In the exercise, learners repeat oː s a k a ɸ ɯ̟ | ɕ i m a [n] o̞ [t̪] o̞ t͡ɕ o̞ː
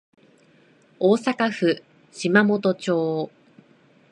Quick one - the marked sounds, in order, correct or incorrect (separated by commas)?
incorrect, correct